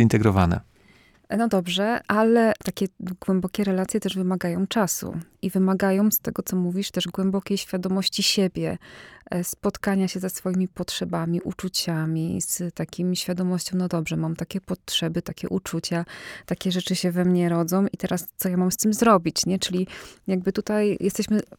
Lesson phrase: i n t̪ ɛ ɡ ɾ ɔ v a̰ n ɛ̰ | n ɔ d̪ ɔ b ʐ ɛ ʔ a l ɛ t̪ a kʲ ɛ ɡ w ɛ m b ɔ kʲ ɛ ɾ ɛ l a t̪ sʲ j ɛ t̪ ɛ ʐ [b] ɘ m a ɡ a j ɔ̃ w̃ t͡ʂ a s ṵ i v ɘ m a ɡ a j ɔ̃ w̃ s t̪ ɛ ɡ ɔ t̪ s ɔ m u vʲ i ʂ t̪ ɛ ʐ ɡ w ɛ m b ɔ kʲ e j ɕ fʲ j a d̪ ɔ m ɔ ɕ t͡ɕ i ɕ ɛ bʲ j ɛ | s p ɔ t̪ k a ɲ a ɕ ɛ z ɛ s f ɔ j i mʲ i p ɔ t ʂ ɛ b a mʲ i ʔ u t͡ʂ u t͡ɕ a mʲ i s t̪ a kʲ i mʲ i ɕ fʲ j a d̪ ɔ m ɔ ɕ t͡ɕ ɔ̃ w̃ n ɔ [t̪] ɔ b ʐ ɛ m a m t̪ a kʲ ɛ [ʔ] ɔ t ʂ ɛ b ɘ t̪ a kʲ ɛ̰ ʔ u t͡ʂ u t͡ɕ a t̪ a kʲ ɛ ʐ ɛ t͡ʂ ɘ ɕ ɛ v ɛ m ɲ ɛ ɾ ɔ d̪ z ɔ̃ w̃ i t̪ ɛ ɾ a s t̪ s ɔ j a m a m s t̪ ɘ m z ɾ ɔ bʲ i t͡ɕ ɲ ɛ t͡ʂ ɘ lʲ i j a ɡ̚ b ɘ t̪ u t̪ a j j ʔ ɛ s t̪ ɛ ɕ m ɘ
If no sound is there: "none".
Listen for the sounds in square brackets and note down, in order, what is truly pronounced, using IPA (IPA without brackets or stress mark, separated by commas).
v, d̪, p